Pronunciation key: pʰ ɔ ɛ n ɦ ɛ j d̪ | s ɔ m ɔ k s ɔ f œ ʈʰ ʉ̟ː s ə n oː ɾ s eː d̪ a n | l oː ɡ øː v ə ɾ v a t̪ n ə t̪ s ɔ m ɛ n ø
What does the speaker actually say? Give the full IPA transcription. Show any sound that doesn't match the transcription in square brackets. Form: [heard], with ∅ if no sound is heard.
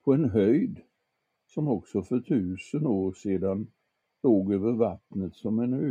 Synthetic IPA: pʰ ɔ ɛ n ɦ [œ] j d̪ | s ɔ m ɔ k s ɔ f œ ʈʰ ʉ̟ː s ə n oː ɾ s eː d̪ a n | l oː ɡ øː v ə ɾ v a t̪ n ə t̪ s ɔ m ɛ n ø